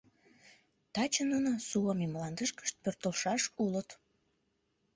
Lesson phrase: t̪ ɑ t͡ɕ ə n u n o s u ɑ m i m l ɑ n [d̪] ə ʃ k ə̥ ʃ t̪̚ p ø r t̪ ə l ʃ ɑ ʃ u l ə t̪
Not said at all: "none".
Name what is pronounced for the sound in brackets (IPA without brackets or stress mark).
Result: d̪